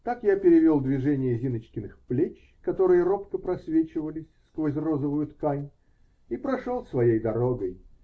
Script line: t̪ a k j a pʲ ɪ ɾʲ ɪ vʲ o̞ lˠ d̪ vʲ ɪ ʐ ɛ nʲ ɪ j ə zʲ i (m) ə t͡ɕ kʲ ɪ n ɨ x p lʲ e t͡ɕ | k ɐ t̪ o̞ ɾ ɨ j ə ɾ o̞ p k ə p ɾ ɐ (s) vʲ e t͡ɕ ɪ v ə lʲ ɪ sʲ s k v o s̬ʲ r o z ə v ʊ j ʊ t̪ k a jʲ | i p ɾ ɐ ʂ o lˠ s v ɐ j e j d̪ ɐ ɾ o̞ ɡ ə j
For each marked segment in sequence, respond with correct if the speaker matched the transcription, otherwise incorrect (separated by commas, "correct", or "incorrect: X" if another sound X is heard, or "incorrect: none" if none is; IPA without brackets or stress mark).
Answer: incorrect: n, correct